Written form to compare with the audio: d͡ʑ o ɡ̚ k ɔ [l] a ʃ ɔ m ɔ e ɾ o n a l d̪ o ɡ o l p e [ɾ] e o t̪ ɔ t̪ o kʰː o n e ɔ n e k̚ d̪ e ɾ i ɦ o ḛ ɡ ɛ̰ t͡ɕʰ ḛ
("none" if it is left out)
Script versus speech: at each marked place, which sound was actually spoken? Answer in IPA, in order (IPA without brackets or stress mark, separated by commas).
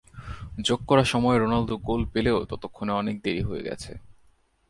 ɾ, l